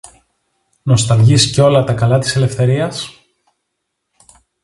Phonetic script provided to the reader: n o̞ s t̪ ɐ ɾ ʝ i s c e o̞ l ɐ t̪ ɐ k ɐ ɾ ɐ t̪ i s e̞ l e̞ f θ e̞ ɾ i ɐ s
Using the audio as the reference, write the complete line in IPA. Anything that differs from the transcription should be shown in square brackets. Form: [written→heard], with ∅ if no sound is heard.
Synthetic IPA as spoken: n o̞ s t̪ ɐ [ɾ→l] ʝ i s c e o̞ l ɐ t̪ ɐ k ɐ [ɾ→l] ɐ t̪ i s e̞ l e̞ f θ e̞ ɾ i ɐ s